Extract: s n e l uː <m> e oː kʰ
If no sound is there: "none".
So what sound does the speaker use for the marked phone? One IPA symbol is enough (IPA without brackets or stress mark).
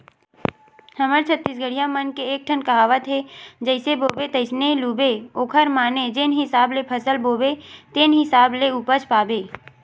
b